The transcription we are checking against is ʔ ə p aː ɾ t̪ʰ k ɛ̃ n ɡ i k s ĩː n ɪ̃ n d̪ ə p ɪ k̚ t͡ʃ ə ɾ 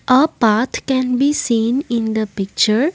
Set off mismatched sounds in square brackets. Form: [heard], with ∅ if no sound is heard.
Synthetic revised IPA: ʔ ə p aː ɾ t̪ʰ k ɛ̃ n [b] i [∅] s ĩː n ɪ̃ n d̪ ə p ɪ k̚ t͡ʃ ə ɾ